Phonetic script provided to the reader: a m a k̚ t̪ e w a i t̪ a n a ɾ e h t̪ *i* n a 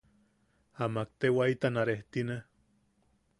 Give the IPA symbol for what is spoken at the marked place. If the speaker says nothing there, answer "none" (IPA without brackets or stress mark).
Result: i